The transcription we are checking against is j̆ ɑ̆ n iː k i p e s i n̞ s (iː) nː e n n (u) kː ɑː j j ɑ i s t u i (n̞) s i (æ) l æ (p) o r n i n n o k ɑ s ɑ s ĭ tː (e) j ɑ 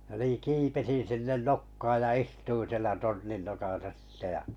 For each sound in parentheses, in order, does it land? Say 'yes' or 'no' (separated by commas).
no, no, yes, no, no, yes